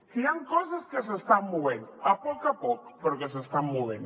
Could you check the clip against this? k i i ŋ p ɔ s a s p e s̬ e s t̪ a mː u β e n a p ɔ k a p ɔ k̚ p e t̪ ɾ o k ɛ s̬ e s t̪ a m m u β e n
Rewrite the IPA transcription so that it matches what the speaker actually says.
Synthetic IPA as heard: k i a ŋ k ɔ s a s k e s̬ e s t̪ a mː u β e n a p ɔ k a p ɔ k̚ p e ɾ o k e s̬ e s t̪ a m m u β e n